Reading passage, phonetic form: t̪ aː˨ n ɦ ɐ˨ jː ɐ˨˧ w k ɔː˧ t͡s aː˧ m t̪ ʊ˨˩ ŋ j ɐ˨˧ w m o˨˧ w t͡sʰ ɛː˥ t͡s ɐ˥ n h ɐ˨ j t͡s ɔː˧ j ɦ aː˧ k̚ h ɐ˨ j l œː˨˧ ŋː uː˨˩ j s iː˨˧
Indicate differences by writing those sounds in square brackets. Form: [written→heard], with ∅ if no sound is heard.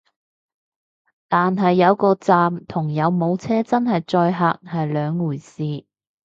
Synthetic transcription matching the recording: t̪ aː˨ n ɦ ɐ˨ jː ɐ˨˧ w k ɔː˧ t͡s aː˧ m [t̪→t̪ʰ] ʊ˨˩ ŋ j ɐ˨˧ w m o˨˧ w t͡sʰ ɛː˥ t͡s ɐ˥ n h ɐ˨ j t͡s ɔː˧ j ɦ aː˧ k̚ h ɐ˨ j l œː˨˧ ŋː uː˨˩ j s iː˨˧

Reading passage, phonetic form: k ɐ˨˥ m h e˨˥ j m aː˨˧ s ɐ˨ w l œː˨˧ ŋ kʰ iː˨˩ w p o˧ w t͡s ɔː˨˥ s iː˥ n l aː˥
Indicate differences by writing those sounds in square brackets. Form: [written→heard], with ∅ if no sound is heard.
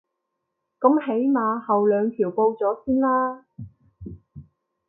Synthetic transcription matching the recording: k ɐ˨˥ m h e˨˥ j m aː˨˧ [s→h] ɐ˨ w l œː˨˧ ŋ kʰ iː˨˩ w p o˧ w t͡s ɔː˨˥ s iː˥ n l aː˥

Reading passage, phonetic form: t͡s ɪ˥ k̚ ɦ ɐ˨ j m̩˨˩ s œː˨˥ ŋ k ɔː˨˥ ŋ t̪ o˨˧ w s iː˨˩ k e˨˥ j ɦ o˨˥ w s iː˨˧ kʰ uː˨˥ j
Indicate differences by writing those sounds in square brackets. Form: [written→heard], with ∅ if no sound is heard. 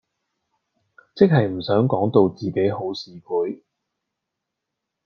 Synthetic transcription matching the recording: t͡s ɪ˥ k̚ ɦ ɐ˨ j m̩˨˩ s œː˨˥ ŋ k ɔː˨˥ ŋ t̪ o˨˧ w [s→t͡s] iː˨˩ k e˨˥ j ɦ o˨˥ w s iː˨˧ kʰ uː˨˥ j

